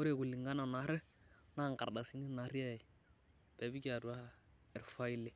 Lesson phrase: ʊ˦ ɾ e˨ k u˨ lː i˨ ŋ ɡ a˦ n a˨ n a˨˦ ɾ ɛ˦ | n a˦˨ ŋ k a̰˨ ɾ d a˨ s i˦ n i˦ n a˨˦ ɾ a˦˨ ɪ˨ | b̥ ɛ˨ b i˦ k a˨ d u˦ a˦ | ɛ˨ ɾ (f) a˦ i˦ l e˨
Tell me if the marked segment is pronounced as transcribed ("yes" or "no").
yes